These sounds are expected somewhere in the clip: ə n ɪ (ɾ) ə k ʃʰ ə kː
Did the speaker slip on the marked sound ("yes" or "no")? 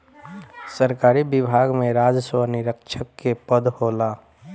no